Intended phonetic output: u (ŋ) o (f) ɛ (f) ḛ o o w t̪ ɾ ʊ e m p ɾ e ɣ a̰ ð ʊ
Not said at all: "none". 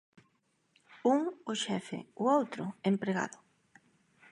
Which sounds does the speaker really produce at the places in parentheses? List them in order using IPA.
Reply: ŋ, ʃ, f

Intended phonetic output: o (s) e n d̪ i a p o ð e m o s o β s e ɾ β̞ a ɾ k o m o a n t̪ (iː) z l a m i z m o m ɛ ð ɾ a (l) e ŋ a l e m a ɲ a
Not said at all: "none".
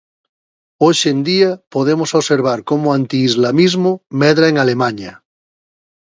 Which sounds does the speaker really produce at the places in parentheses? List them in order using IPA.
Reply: ʃ, iː, none

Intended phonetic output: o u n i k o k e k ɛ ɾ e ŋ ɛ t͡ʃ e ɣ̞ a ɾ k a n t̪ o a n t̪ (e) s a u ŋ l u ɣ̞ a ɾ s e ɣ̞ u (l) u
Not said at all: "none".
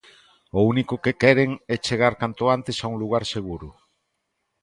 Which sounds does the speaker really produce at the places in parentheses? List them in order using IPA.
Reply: e, ɾ

